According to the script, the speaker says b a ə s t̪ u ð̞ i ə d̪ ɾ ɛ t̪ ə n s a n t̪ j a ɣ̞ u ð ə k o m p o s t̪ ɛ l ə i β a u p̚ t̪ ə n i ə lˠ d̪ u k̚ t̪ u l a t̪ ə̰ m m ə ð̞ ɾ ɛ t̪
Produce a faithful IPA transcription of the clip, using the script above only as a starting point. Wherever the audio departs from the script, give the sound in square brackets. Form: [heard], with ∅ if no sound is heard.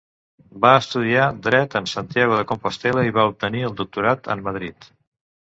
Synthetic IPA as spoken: b a ə s t̪ u ð̞ i [a] d̪ ɾ ɛ t̪ ə n s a n t̪ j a ɣ̞ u ð ə k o m p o s t̪ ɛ l ə i β a u p̚ t̪ ə n i ə lˠ d̪ u k̚ t̪ u [ɾ] a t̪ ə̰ m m ə ð̞ ɾ [i] t̪